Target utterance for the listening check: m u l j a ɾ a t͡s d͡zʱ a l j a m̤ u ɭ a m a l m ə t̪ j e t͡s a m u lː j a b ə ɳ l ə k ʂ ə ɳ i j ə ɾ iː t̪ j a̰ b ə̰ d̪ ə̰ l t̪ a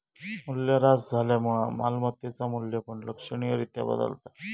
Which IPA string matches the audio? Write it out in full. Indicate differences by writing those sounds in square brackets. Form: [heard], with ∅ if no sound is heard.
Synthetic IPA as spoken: m u l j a ɾ a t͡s d͡zʱ a l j a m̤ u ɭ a m a l m ə t̪ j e t͡s a m u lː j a [p] ə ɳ l ə k ʂ ə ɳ i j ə ɾ [i] t̪ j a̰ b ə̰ d̪ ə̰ l t̪ a